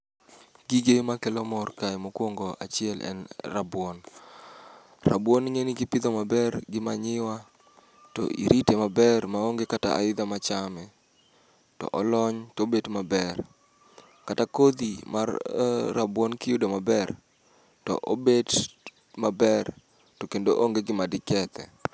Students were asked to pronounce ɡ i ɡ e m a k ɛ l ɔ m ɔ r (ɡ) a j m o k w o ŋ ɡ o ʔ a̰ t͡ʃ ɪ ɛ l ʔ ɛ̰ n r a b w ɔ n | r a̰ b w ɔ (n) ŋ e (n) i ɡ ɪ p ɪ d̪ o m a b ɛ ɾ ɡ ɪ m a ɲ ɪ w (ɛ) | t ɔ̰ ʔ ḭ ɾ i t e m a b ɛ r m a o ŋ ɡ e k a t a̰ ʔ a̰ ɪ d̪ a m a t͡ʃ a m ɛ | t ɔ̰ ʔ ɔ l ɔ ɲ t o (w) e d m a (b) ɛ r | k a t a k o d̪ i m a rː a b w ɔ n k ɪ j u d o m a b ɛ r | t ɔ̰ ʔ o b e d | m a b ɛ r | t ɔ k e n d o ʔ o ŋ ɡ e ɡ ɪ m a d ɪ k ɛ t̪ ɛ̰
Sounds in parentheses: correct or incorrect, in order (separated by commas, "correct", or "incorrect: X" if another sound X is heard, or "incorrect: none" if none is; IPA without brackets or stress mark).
incorrect: k, correct, correct, incorrect: a, incorrect: b, correct